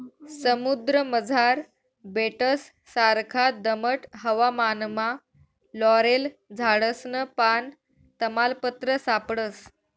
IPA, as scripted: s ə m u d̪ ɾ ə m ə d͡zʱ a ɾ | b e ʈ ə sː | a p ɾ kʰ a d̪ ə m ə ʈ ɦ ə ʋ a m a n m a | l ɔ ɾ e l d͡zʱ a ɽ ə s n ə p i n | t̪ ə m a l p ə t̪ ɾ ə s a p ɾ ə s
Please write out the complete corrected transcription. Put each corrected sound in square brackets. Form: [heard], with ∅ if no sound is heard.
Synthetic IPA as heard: s ə m u d̪ ɾ ə m ə d͡zʱ a ɾ | b e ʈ ə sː | a [∅] ɾ kʰ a d̪ ə m ə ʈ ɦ ə ʋ a m a n m a | l ɔ ɾ e l d͡zʱ a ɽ ə s n ə p [a] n | t̪ ə m a l p ə t̪ ɾ ə s a p [ɽ] ə s